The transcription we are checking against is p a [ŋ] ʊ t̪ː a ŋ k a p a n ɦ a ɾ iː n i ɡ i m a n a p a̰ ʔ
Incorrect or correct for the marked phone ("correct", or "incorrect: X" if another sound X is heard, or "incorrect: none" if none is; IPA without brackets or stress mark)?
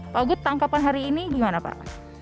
incorrect: ɡ